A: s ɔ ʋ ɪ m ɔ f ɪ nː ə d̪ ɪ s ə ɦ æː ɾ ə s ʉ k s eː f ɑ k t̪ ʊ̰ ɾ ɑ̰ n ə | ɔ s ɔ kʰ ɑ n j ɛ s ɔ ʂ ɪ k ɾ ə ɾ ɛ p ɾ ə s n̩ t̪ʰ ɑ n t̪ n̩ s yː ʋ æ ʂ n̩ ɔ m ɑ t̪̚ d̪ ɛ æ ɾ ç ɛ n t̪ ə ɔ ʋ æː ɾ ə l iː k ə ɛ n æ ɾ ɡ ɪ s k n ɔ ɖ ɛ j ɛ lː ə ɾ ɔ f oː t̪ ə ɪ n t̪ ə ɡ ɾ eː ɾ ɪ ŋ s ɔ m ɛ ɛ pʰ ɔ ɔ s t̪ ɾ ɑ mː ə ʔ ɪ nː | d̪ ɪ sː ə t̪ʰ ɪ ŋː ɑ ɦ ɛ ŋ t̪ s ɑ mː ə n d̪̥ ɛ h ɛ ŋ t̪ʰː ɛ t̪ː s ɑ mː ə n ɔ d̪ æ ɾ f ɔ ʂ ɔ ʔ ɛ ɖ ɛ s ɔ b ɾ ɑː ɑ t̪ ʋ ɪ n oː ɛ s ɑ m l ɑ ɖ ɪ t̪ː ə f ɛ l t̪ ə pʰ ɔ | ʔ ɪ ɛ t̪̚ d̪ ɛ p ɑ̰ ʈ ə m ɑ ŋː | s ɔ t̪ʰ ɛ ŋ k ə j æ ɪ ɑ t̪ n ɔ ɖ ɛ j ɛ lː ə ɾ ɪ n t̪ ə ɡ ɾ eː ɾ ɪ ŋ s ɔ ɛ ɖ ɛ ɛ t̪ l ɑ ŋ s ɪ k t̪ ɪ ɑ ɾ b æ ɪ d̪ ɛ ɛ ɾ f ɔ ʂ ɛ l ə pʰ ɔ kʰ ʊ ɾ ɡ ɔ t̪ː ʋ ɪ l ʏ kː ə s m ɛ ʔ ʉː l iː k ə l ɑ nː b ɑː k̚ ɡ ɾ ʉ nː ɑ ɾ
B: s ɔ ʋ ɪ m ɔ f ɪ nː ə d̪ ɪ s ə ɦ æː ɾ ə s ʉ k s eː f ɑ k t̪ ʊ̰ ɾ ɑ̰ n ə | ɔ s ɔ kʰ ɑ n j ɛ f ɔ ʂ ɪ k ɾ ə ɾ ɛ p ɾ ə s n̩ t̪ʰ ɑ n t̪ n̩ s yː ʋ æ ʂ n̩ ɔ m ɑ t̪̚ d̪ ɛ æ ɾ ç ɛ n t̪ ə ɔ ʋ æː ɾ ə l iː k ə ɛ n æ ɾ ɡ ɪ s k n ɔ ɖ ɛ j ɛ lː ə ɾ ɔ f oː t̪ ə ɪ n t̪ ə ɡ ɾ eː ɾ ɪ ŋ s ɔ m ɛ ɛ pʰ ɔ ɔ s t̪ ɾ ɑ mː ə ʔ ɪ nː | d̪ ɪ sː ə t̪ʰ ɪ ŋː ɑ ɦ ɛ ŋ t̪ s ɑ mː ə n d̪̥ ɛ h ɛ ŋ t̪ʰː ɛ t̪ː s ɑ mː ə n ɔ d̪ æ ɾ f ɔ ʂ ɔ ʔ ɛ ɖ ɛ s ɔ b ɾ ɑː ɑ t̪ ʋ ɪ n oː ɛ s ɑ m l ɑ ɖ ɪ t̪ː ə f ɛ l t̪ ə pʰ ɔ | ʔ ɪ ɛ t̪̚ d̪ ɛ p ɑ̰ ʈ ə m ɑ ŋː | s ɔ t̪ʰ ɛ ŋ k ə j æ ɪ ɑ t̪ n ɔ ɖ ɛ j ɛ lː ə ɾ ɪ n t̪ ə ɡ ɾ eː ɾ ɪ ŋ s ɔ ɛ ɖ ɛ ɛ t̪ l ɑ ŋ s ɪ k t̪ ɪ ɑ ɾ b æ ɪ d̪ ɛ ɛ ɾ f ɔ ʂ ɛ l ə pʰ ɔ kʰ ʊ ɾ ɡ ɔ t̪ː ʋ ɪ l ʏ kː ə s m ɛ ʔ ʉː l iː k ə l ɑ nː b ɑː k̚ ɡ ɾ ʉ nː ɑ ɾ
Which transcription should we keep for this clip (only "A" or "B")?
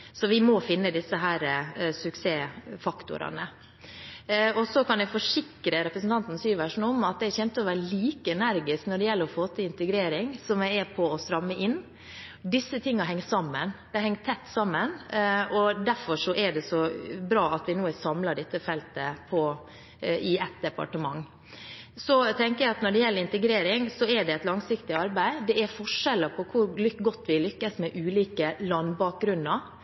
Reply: B